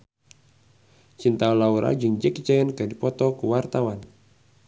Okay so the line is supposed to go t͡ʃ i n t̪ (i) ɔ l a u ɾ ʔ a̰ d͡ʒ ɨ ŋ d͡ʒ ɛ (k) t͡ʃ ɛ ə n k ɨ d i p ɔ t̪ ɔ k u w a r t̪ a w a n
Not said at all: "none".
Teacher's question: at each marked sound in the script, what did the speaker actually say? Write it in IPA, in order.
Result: a, k

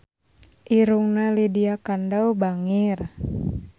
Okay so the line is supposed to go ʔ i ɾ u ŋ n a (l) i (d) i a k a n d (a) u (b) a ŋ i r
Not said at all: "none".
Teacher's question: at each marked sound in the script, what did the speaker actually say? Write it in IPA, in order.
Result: l, d, a, b

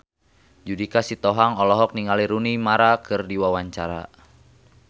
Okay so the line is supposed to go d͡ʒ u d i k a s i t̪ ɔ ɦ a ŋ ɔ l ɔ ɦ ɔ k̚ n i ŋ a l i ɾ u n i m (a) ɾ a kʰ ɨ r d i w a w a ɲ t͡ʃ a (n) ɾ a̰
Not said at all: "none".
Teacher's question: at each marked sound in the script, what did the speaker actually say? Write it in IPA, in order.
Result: a, none

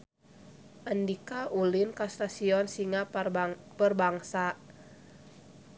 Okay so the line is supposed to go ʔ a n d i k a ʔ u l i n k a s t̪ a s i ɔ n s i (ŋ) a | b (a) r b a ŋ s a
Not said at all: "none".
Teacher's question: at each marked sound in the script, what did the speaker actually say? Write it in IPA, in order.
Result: ŋ, ə

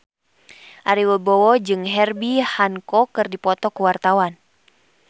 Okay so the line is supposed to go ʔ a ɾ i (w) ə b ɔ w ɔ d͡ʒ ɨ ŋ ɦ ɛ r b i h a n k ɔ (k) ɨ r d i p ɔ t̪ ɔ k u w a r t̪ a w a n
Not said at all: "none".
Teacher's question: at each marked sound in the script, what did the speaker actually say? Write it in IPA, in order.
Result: w, k

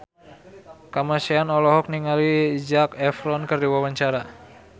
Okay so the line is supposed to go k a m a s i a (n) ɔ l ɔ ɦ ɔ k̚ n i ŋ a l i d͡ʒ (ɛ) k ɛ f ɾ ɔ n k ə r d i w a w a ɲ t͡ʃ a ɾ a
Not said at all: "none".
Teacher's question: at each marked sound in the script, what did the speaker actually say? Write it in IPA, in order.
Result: n, a

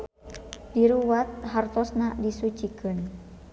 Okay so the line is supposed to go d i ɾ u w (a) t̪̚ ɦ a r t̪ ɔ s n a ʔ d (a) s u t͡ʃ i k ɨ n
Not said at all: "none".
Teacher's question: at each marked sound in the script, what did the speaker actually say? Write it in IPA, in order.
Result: a, i

